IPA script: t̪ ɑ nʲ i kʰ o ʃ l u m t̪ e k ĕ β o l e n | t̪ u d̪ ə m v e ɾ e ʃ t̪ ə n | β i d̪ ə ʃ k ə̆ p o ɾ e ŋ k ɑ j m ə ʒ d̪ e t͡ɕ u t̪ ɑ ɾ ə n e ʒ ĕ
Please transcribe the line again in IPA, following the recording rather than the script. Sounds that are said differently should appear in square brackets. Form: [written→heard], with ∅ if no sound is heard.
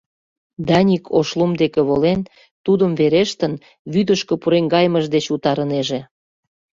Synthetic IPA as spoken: [t̪→d̪] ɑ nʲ i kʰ o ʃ l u m [t̪→d̪] e k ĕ β o l e n | t̪ u d̪ ə m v e ɾ e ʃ t̪ ə n | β [i→y] d̪ ə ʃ k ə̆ p [o→u] ɾ e ŋ [k→ɡ] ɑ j m ə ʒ d̪ e t͡ɕ u t̪ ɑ ɾ ə n e ʒ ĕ